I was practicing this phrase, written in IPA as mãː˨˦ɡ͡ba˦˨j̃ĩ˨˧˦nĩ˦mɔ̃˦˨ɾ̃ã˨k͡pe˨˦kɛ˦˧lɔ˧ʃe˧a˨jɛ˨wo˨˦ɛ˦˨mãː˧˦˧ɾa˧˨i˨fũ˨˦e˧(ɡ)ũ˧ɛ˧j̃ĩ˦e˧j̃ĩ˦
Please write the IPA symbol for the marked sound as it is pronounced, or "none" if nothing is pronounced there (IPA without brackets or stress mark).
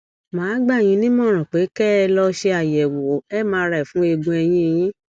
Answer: ɡ